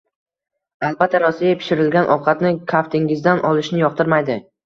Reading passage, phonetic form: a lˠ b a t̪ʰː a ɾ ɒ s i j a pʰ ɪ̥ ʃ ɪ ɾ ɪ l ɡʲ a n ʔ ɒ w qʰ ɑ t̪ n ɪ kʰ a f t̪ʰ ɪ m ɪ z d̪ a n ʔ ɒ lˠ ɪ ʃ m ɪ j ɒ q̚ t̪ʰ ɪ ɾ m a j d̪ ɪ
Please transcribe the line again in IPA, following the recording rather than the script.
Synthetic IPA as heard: a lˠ b a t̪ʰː a ɾ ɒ s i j a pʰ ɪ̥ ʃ ɪ ɾ ɪ l ɡʲ a n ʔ ɒ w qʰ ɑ t̪ n ɪ kʰ a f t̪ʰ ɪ ŋ ɪ z d̪ a n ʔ ɒ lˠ ɪ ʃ n ɪ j ɒ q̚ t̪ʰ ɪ ɾ m a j d̪ ɪ